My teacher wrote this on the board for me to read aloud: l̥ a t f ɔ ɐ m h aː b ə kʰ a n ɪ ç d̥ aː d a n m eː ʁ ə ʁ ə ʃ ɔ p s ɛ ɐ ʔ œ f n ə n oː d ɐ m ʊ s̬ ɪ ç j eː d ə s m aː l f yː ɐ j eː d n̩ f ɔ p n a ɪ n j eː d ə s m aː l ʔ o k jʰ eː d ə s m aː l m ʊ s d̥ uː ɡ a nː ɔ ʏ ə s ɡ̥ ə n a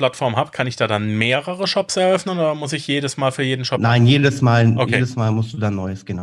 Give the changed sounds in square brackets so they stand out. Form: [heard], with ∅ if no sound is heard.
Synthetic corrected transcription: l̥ a t f ɔ ɐ m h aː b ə kʰ a n ɪ ç d̥ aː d a n m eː ʁ ə ʁ ə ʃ ɔ p s ɛ ɐ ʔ œ f n ə n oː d ɐ m ʊ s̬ ɪ ç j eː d ə s m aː l f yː ɐ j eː d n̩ [ʃ] ɔ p n a ɪ n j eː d ə s m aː l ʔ o k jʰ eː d ə s m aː l m ʊ s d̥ uː [d] a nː ɔ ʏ ə s ɡ̥ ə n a